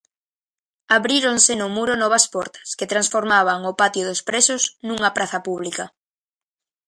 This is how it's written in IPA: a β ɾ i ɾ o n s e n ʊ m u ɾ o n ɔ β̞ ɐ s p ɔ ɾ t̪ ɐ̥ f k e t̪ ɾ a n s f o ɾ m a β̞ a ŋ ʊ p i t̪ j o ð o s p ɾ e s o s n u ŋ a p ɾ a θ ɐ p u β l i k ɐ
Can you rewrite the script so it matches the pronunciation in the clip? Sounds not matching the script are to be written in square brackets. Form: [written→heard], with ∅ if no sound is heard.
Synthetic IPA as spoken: a β ɾ i ɾ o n s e n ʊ m u ɾ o n ɔ β̞ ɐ s p ɔ ɾ t̪ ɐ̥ [f→s] k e t̪ ɾ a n s f o ɾ m a β̞ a ŋ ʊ p [i→a] t̪ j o ð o s p ɾ e s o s n u ŋ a p ɾ a θ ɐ p u β l i k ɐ